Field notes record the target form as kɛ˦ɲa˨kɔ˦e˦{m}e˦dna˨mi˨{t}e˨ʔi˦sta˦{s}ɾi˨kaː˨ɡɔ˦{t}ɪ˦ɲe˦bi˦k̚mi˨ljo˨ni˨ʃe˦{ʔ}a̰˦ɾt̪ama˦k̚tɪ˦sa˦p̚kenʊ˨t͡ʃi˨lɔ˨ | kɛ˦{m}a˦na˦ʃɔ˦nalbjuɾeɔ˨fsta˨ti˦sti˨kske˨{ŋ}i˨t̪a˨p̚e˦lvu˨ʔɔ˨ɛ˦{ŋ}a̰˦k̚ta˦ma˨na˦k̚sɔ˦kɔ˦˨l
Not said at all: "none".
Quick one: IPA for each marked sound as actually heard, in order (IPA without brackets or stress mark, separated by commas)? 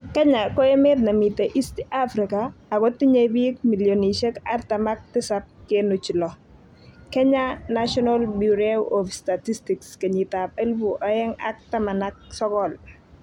m, t, f, t, k, ɲ, ɲ, ŋ